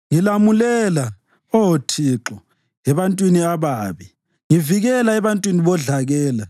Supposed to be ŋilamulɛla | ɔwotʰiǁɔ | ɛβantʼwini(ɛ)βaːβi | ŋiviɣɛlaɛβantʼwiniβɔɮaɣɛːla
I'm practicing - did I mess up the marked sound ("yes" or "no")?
yes